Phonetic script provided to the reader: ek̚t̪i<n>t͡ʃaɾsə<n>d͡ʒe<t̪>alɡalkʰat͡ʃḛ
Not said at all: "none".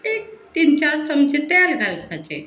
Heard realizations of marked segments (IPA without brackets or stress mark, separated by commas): n, m, t̪